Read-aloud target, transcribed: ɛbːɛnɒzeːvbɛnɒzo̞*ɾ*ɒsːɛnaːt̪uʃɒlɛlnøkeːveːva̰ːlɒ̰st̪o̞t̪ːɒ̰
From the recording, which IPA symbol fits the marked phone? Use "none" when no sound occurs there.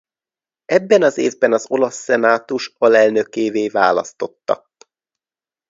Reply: l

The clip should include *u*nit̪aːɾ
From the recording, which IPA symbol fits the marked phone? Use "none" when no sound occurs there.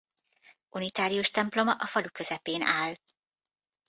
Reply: u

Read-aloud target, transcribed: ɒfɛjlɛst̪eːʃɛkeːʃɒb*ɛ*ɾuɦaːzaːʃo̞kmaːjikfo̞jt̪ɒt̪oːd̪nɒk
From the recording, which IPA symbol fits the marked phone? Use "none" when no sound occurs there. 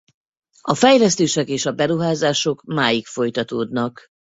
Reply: ɛ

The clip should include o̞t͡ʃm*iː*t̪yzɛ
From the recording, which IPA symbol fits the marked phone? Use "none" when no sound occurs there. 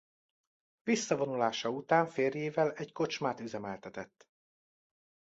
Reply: aː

